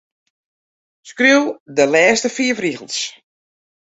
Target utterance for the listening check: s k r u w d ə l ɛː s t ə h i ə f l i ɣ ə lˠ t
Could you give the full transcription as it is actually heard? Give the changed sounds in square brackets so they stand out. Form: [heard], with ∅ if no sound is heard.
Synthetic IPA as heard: s k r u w d ə l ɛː s t ə [f] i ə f [r] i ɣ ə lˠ [s]